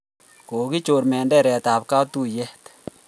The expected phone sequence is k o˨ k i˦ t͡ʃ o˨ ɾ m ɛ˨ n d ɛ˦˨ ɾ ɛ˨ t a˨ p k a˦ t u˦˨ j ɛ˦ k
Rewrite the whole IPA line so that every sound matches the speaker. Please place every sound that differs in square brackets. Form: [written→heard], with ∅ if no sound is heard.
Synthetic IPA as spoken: k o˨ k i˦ t͡ʃ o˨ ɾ m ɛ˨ n d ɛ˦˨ ɾ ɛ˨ t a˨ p k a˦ t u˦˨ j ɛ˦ [k→t]